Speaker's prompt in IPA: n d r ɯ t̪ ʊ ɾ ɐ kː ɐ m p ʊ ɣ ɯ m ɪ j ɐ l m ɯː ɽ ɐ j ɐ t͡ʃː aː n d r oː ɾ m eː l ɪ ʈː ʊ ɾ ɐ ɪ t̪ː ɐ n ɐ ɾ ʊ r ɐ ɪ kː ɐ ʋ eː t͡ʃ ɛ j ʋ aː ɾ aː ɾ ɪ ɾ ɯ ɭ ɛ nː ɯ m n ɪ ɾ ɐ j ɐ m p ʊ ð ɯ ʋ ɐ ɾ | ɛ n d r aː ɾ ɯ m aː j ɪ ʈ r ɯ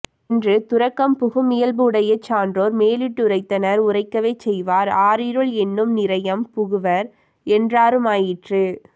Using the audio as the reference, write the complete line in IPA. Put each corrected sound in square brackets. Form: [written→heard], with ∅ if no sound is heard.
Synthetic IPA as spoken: n d r ɯ t̪ ʊ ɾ ɐ kː ɐ m p ʊ ɣ ɯ m ɪ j ɐ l [m→b] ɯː ɽ ɐ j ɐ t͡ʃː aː n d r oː ɾ m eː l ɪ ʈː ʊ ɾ ɐ ɪ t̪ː ɐ n ɐ ɾ ʊ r ɐ ɪ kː ɐ ʋ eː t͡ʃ ɛ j ʋ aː ɾ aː ɾ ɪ ɾ ɯ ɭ ɛ nː ɯ m n ɪ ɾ ɐ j ɐ m p ʊ [ð→ɣ] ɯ ʋ ɐ ɾ | ɛ n d r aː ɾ ɯ m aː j ɪ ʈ r ɯ